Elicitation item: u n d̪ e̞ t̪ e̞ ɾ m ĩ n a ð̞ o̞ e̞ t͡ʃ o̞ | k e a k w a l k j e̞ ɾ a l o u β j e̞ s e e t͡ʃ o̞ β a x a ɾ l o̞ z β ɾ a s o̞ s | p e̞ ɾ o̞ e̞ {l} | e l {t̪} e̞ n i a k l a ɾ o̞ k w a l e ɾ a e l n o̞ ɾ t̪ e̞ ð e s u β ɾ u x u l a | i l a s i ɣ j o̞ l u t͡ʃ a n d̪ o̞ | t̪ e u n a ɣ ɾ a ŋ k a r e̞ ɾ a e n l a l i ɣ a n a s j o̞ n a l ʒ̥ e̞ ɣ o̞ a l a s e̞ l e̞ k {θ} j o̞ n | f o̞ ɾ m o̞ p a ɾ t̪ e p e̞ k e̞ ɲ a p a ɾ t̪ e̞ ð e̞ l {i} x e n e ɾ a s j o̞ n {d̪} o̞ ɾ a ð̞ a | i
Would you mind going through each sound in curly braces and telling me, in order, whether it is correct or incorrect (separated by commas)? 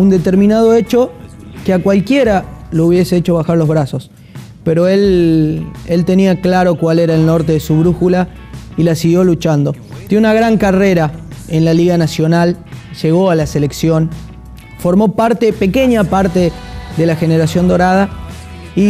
correct, correct, incorrect, incorrect, correct